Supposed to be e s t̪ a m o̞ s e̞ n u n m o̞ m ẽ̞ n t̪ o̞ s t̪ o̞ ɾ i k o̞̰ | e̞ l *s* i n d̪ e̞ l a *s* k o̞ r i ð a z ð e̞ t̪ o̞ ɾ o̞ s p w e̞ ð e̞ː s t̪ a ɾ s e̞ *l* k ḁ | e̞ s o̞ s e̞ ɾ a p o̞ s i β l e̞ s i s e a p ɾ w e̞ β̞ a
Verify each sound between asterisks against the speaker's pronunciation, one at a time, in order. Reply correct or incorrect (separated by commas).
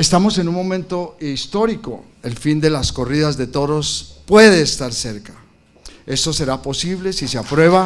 incorrect, correct, incorrect